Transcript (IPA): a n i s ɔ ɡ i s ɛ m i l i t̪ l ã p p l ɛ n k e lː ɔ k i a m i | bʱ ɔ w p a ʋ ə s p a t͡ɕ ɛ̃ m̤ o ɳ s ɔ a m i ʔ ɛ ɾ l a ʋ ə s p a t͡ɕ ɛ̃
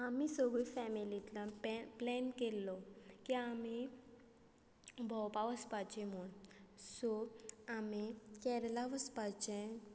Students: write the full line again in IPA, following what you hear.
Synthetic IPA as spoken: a m i s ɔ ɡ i f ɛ m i l i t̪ l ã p p l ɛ n k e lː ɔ k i a m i | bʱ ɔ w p a ʋ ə s p a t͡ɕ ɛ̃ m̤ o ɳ s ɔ a m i k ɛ ɾ l a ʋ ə s p a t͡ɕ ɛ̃